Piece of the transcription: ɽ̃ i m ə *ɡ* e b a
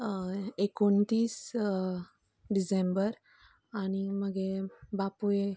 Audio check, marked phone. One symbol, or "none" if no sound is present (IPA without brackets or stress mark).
ɡ